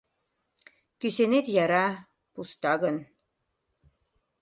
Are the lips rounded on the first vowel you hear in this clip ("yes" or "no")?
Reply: yes